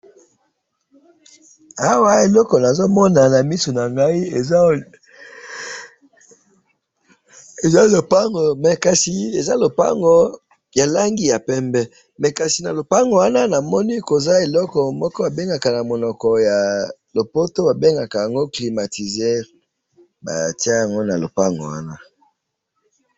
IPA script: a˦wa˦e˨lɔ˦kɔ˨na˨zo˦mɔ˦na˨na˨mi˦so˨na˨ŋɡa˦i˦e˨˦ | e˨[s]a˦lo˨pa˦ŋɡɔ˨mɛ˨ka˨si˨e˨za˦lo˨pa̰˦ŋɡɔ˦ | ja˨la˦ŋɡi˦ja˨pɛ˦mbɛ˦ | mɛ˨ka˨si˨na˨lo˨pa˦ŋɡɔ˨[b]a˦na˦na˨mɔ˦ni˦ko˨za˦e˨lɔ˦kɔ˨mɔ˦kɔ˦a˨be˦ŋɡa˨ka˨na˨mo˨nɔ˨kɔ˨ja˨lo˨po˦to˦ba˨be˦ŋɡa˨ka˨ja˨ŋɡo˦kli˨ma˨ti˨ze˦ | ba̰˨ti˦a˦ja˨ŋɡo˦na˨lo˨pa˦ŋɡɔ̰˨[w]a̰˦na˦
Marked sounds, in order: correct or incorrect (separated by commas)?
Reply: incorrect, incorrect, correct